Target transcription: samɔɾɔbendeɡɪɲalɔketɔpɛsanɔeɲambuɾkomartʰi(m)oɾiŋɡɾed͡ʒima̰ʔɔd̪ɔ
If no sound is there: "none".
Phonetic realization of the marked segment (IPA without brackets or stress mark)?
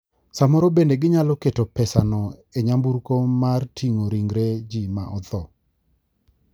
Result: ŋ